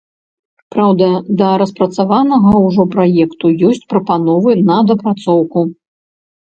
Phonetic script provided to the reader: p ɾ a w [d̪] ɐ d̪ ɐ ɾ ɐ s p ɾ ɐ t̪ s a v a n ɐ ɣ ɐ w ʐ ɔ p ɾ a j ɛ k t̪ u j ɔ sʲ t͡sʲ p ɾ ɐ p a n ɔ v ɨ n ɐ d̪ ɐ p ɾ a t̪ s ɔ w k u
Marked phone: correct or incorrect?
correct